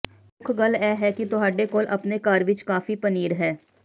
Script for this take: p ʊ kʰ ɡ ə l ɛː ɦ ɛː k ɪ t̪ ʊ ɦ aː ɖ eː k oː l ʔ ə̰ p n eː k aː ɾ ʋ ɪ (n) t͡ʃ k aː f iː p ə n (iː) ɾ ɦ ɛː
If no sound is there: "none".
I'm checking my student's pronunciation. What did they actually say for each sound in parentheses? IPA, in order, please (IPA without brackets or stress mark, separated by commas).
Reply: none, iː